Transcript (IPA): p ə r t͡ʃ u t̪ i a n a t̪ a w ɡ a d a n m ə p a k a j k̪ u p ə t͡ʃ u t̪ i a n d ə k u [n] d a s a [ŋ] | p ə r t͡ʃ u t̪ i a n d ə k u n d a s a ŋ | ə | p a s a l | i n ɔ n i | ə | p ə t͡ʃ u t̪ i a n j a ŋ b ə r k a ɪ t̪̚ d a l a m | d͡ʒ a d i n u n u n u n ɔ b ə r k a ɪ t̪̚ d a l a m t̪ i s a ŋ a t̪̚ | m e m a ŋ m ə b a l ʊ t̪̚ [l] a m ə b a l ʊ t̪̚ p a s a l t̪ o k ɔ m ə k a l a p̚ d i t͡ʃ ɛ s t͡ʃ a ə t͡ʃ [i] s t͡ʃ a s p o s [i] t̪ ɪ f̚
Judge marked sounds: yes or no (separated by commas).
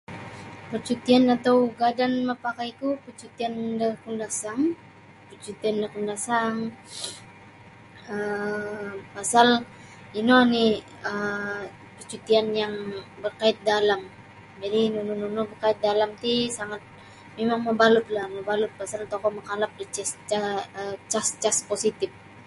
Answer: yes, yes, yes, no, yes